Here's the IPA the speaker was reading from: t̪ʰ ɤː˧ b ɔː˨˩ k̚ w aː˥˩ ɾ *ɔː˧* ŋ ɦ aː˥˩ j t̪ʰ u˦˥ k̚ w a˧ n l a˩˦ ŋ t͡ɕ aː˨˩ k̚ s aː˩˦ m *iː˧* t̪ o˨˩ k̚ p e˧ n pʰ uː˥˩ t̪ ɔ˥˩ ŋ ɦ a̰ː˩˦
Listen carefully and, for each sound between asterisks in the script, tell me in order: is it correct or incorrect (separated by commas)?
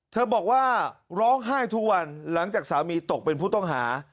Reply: incorrect, correct